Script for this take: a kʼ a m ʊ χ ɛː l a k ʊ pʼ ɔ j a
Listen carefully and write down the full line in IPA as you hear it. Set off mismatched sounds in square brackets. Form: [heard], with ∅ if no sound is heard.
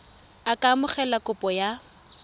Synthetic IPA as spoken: a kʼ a m ʊ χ [ɛ] l a k ʊ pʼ ɔ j a